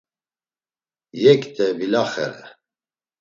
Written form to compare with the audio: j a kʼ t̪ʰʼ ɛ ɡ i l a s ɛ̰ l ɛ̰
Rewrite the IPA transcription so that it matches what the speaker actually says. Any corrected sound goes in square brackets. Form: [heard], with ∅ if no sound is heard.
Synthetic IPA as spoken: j [ɛ] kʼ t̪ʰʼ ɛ [b] i l a [χ] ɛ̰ [ɾ] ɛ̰